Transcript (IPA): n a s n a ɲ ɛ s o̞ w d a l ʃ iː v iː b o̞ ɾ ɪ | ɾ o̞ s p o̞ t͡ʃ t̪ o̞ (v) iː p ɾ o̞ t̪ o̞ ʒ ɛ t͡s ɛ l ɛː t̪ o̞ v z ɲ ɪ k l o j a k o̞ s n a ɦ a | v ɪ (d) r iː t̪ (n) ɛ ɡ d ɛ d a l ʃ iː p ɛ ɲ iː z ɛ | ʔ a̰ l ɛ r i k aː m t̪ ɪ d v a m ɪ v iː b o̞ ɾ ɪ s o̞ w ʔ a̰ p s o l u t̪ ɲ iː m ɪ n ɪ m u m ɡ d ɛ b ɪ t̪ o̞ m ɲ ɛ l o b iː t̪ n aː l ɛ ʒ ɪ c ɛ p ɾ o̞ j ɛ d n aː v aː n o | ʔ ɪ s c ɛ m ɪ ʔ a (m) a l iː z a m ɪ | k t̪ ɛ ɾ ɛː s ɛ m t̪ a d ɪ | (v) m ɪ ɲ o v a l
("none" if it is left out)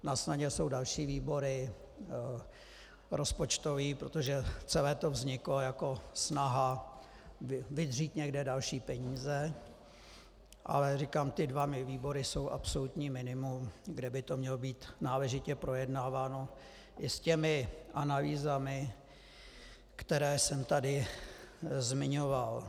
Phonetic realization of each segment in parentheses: v, d, ɲ, n, z

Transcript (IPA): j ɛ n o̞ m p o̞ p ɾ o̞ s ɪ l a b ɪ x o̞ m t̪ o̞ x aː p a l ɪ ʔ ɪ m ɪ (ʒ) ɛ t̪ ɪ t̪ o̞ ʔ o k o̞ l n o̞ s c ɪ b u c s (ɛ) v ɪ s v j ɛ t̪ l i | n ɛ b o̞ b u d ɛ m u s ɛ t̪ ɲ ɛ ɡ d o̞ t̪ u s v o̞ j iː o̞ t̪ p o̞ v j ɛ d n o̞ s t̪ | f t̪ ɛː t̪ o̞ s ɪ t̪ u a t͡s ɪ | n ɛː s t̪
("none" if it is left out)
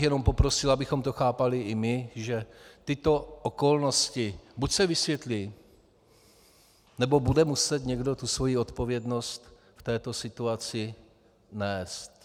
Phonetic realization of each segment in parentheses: ʒ, ɛ

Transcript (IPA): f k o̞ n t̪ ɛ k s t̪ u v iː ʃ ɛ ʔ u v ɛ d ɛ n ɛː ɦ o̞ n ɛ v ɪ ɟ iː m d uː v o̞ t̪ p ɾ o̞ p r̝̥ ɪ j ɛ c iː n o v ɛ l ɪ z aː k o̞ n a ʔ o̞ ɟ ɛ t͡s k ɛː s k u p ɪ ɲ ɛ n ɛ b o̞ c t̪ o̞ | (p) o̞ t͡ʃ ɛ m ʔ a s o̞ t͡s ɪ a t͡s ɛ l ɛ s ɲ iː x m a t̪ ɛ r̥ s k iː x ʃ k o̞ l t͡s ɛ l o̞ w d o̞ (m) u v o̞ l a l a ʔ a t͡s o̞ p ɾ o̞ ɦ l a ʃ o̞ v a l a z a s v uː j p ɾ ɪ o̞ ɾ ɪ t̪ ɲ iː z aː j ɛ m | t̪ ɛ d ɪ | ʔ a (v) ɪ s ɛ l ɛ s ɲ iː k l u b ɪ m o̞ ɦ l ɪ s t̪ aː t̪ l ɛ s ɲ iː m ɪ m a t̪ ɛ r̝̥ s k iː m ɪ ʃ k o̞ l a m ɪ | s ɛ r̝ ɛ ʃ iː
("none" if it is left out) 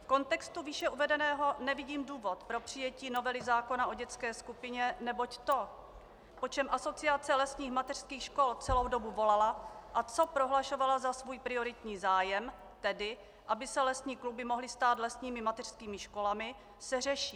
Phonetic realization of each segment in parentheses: p, b, b

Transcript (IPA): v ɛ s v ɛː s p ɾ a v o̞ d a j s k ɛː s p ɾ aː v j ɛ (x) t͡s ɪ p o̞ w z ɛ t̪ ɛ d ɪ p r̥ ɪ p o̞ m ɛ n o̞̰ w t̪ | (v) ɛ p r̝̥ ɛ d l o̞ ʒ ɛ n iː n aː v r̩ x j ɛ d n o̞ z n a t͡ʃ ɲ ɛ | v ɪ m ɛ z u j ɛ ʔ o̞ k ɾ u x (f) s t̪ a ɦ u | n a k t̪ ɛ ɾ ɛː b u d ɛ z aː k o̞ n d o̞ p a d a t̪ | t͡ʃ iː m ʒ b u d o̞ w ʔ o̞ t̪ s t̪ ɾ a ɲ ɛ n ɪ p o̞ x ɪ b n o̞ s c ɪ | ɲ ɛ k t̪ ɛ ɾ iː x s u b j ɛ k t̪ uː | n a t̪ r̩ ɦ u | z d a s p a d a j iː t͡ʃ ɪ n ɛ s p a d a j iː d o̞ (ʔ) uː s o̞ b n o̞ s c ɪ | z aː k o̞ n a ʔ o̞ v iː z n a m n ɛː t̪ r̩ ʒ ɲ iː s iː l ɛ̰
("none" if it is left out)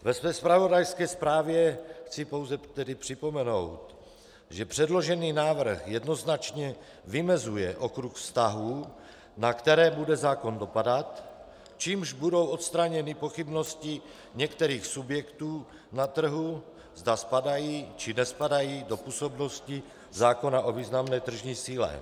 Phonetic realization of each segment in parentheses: x, ʒ, f, p

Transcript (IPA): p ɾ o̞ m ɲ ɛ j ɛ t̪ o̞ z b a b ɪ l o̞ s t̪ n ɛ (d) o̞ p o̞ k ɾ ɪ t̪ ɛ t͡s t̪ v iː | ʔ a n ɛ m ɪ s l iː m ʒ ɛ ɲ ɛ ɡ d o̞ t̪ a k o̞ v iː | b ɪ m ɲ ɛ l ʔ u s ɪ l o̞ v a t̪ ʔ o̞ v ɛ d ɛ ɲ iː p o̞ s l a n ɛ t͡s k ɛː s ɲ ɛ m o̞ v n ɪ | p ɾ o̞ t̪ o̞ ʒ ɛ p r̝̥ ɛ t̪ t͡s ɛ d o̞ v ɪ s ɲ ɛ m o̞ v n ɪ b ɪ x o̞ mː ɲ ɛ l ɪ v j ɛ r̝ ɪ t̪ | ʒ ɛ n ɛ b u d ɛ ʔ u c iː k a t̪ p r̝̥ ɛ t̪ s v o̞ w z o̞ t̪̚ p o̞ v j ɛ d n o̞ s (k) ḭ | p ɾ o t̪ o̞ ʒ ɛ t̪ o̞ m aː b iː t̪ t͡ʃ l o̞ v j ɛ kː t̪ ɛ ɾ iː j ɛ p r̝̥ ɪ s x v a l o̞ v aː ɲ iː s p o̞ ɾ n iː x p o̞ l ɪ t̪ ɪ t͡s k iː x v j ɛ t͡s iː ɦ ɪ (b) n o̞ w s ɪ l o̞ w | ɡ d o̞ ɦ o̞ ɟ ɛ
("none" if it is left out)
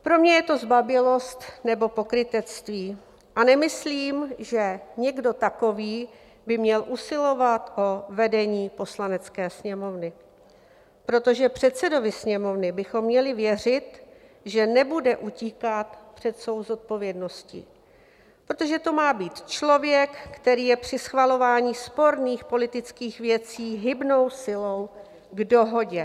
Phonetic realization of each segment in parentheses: b, c, b

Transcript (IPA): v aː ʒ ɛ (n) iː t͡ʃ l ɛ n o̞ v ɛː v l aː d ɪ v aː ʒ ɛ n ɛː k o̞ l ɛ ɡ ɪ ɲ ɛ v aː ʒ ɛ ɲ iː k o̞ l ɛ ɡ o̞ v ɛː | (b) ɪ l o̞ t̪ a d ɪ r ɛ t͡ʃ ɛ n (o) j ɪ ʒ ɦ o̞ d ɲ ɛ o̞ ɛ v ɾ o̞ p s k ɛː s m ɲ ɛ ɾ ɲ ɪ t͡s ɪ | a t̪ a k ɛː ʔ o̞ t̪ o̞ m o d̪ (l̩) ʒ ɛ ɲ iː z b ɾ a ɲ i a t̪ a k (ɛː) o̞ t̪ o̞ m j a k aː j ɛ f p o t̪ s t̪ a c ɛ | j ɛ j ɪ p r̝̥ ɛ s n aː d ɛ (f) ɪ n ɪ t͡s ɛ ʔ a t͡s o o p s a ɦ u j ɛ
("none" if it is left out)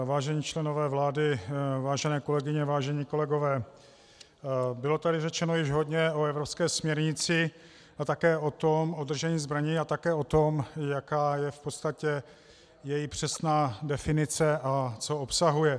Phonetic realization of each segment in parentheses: ɲ, b, o, r̩, ɛː, f

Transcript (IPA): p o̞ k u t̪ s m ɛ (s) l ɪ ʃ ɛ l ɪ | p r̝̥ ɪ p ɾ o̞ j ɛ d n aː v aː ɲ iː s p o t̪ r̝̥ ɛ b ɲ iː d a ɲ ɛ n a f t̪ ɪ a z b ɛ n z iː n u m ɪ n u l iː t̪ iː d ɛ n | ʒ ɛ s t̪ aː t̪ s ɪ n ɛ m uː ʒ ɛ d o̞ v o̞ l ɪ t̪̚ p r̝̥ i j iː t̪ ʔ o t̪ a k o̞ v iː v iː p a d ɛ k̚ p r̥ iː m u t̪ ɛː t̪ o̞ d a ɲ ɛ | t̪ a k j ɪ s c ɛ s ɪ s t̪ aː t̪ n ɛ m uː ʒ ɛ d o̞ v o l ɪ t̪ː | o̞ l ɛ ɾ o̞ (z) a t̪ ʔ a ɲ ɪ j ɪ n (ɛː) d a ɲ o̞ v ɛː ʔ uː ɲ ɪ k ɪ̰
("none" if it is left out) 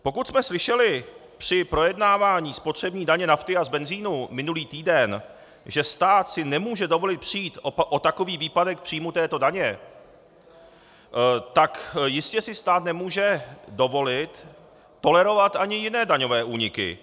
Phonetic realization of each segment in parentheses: s, v, ɛː

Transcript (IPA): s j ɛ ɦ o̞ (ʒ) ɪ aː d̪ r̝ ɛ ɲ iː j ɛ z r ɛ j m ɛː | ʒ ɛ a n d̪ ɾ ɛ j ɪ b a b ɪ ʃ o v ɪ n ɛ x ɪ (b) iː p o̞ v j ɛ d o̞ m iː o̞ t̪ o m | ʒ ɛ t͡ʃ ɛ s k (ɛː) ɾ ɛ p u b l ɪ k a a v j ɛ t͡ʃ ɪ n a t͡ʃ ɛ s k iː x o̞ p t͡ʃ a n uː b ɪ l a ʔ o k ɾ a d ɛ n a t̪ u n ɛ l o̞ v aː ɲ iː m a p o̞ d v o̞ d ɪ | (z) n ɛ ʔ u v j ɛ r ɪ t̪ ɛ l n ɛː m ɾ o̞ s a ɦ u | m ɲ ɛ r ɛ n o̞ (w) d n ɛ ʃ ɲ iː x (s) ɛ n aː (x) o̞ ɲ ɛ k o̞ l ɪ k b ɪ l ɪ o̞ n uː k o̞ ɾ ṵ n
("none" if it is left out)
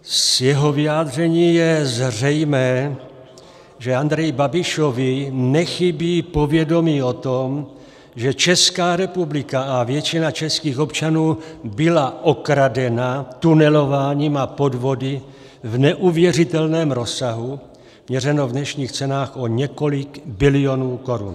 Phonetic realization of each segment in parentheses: v, b, aː, v, v, t͡s, x

